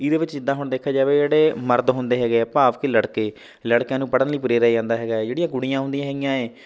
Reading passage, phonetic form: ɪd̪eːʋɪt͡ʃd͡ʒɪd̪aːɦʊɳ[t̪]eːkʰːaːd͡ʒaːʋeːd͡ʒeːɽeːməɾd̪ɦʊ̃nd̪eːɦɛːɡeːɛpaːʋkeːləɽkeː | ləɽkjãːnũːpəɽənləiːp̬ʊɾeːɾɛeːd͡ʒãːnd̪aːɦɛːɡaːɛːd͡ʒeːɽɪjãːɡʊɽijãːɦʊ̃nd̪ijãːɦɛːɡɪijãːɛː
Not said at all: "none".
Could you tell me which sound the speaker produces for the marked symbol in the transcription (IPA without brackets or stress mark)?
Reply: d̪